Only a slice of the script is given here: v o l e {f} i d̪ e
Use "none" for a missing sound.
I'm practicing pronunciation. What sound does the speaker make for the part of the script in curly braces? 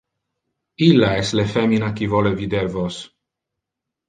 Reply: v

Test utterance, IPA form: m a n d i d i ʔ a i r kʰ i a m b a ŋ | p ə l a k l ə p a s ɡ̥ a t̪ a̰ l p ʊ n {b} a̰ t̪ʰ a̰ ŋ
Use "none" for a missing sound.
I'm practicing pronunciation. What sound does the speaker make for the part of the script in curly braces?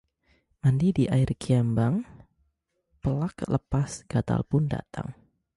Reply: d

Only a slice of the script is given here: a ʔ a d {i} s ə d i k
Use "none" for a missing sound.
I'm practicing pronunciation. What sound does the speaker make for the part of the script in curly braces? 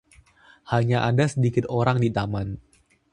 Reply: a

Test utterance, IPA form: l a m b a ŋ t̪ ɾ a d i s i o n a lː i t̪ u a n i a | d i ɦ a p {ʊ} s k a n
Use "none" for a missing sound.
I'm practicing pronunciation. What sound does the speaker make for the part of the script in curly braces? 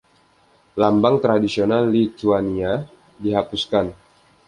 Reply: u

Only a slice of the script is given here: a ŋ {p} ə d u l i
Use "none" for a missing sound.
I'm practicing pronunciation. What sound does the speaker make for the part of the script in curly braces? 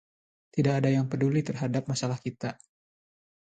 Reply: p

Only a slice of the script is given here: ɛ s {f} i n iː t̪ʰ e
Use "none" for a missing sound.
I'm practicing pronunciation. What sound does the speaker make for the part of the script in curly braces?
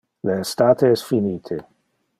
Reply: f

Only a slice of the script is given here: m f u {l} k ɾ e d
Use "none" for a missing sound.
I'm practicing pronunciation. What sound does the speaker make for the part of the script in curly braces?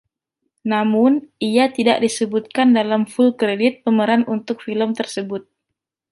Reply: l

